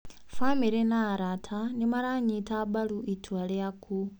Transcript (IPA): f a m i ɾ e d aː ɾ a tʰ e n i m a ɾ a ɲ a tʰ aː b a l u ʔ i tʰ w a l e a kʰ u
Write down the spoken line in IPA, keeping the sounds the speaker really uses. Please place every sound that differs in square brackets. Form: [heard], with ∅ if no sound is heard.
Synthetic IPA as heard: f a m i ɾ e [n] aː ɾ a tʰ [a] n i m a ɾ a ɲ [i] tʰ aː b a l u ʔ i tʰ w a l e a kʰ u